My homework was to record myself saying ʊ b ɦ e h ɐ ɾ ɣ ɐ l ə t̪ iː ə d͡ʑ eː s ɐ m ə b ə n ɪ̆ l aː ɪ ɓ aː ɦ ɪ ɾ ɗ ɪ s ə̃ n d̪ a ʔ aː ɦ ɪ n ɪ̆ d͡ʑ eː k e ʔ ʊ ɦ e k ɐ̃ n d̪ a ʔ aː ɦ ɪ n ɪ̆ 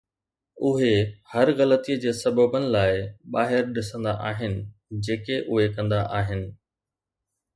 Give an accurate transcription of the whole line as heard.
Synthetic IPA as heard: ʊ ɦ e h ɐ ɾ ɣ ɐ l ə t̪ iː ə d͡ʑ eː s ɐ b ə b ə n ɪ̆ l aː ɪ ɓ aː ɦ ɪ ɾ ɗ ɪ s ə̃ n d̪ a ʔ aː ɦ ɪ n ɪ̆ d͡ʑ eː k e ʔ ʊ ɦ e k ɐ̃ n d̪ a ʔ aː ɦ ɪ n ɪ̆